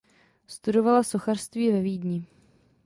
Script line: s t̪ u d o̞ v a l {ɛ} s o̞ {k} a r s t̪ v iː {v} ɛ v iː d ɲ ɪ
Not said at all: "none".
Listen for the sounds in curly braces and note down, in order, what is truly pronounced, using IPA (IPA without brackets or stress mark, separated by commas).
a, x, v